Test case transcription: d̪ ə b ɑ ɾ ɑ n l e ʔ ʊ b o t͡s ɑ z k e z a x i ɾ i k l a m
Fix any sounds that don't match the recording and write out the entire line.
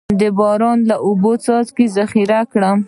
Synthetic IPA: d̪ ə b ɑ ɾ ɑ n l a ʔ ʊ b o t͡s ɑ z k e z a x i ɾ a k ɽ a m